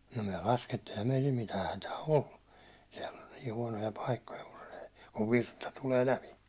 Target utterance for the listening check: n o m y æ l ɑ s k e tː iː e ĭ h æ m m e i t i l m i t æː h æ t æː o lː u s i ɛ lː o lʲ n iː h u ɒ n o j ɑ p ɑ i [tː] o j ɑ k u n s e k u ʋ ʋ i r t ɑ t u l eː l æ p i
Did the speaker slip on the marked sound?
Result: yes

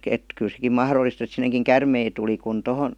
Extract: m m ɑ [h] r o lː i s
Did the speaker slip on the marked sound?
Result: no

